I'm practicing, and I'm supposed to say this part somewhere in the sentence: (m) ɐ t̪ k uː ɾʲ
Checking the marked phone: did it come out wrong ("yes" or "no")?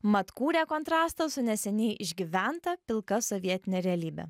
no